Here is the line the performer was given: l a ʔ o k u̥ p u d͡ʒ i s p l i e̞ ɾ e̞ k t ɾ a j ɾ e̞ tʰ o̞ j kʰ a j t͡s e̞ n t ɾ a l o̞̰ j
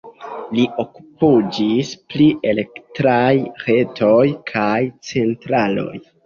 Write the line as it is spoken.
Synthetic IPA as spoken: l i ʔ o k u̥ p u d͡ʒ i s p l i e̞ l e̞ k t ɾ a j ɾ e̞ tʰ o̞ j kʰ a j t͡s e̞ n t ɾ a l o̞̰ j